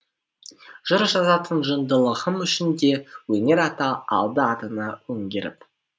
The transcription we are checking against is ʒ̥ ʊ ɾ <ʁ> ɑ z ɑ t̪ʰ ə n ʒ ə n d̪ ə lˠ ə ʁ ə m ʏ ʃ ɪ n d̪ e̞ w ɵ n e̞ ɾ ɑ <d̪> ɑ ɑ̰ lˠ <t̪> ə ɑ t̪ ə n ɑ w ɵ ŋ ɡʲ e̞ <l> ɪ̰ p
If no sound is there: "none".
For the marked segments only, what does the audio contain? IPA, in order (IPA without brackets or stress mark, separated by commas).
ʒ, t̪, d̪, ɾ